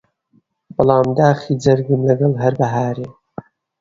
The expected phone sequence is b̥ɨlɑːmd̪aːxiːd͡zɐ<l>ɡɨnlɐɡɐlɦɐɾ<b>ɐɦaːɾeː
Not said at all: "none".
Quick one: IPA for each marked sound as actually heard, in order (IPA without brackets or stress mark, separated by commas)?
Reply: ɾ, b